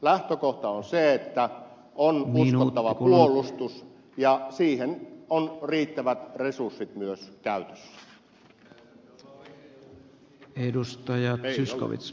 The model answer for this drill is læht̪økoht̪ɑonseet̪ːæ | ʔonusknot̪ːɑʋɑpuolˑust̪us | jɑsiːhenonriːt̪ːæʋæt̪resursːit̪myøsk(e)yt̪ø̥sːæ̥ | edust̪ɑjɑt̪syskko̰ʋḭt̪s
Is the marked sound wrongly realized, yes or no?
yes